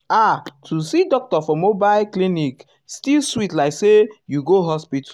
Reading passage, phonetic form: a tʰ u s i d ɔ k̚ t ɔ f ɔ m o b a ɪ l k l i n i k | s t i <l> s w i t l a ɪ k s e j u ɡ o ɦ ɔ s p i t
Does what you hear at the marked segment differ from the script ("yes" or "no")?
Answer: no